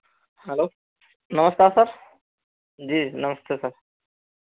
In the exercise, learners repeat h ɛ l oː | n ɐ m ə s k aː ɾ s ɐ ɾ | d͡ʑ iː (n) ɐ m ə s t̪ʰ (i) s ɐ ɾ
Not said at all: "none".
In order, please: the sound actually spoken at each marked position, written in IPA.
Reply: n, e

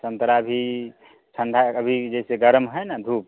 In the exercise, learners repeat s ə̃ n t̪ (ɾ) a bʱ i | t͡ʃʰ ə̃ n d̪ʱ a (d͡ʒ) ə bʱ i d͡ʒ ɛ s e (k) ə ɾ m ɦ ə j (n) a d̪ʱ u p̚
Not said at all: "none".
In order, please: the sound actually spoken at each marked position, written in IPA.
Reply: ɾ, none, ɡ, n

